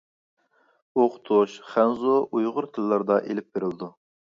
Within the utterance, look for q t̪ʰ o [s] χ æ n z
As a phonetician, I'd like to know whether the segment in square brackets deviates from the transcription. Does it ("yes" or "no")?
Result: yes